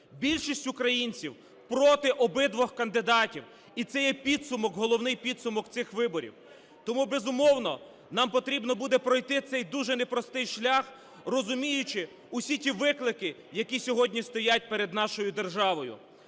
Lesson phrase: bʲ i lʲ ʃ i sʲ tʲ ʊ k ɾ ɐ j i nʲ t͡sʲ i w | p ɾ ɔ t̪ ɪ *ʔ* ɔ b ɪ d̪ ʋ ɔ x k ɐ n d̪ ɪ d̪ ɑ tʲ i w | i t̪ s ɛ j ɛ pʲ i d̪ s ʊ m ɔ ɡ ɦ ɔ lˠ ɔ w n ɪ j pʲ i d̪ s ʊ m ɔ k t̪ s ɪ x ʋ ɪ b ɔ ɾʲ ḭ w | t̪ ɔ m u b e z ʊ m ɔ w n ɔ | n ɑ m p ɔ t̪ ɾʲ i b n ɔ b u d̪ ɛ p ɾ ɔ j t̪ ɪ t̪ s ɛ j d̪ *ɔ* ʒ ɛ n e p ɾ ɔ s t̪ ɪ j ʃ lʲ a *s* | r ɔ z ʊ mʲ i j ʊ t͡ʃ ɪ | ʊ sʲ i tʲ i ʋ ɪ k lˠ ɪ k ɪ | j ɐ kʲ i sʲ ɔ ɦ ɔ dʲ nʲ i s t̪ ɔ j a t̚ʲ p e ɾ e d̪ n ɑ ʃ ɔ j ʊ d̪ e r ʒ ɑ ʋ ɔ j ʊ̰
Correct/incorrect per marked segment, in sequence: correct, incorrect: u, incorrect: x

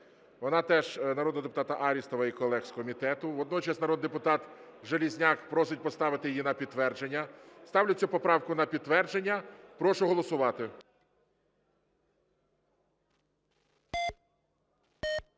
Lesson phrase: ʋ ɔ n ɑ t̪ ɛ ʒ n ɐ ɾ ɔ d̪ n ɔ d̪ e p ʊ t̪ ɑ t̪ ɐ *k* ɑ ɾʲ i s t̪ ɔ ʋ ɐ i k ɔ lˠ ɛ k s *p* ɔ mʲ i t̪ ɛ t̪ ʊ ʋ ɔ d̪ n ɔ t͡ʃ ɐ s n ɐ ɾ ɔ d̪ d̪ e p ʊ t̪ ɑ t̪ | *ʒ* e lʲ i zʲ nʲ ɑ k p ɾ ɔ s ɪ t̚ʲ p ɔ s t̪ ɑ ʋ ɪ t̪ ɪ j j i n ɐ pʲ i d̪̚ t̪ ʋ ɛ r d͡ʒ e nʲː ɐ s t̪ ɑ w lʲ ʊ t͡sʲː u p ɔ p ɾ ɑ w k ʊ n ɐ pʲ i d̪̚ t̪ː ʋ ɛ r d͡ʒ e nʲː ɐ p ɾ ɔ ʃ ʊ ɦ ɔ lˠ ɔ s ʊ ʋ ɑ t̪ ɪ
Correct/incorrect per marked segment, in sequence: incorrect: ʔ, incorrect: k, correct

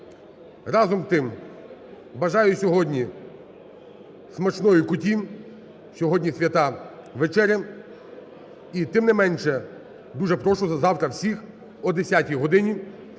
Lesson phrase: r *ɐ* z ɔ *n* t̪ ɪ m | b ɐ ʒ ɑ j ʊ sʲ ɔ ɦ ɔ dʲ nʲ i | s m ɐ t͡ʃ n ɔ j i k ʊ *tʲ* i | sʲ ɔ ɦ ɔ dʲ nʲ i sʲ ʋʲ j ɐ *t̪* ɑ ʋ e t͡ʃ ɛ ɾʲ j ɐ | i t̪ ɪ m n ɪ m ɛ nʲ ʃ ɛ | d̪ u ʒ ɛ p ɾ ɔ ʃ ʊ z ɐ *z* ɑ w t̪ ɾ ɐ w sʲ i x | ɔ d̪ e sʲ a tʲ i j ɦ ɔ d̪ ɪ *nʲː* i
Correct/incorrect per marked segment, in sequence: incorrect: ɑ, incorrect: m, correct, correct, correct, incorrect: nʲ

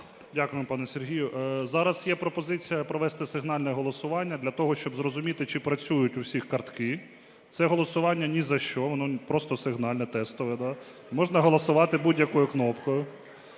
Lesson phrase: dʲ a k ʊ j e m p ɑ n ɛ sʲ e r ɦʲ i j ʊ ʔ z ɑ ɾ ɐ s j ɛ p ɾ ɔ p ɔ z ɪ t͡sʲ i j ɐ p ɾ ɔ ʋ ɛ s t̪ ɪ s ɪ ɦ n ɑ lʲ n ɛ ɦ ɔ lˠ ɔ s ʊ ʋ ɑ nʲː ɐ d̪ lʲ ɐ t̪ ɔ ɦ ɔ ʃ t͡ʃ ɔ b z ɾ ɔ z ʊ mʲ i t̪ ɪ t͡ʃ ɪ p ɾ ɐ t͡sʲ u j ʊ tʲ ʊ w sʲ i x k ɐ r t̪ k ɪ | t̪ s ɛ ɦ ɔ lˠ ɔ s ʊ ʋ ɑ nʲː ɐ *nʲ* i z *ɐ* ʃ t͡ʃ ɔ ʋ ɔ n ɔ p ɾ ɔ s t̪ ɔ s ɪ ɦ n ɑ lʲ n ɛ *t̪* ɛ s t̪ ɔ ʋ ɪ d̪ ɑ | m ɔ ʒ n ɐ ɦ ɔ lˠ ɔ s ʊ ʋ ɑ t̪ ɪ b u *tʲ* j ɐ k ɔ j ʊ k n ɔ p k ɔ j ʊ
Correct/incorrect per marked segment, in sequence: correct, correct, correct, incorrect: dʲ

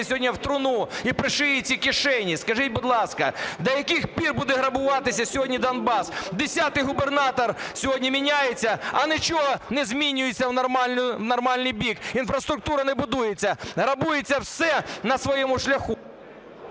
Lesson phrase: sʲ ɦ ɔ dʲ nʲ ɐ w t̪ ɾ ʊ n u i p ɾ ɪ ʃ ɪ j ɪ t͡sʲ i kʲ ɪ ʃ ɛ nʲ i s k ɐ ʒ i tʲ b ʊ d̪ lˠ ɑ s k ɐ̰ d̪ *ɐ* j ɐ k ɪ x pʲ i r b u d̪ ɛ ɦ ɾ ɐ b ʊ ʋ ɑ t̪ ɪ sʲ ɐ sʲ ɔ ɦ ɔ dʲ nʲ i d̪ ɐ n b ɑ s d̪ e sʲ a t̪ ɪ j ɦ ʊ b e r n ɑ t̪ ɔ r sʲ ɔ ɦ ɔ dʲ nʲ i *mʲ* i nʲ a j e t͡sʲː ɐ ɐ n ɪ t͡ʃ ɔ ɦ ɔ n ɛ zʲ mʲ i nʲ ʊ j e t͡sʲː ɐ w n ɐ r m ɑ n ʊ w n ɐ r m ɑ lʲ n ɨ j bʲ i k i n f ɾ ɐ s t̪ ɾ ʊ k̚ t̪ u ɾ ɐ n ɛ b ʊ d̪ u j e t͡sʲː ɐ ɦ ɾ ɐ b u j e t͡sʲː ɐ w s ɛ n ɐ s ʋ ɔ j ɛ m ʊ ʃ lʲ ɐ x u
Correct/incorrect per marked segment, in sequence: correct, correct

